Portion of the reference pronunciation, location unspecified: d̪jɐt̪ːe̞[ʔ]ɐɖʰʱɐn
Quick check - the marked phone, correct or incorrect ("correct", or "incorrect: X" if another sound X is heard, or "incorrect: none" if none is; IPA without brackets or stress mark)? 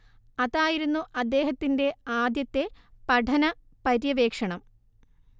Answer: incorrect: p